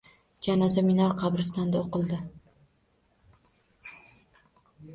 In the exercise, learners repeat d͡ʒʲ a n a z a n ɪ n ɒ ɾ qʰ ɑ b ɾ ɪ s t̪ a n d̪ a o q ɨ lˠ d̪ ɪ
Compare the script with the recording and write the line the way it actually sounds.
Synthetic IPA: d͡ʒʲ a n a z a m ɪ n ɒ ɾ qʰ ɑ b ɾ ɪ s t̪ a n d̪ a o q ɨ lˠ d̪ ɪ